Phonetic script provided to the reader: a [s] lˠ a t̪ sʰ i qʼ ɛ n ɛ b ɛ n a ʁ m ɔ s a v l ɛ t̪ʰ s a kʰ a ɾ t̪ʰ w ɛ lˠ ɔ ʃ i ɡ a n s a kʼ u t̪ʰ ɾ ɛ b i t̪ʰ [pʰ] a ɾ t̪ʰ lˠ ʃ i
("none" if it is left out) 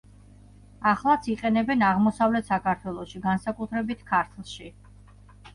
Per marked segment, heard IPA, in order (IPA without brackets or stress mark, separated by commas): χ, kʰ